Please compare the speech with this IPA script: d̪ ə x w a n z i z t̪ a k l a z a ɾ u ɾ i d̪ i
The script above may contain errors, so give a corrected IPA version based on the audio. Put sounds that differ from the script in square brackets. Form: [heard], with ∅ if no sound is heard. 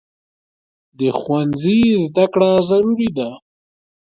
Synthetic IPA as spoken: d̪ ə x w a n z i z [d̪] a k [ɽ] a z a ɾ u ɾ i d̪ [a]